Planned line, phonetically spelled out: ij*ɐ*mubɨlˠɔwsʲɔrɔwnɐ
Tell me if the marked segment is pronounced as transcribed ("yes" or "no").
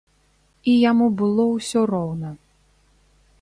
no